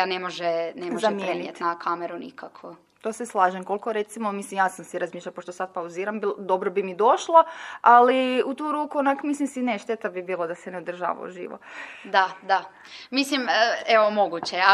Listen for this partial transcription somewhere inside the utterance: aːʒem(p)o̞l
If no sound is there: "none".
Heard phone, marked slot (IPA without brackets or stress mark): k